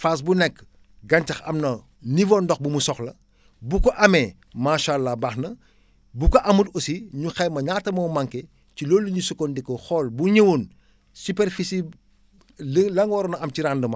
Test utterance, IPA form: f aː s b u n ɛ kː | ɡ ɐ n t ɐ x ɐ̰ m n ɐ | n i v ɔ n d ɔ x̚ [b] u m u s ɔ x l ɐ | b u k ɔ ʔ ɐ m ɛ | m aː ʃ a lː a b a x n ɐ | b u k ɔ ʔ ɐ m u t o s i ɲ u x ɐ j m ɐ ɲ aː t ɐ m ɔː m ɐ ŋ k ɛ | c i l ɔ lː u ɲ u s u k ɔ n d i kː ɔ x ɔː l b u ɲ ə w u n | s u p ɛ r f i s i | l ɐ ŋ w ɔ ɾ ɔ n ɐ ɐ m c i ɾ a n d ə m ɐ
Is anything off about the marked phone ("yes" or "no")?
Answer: no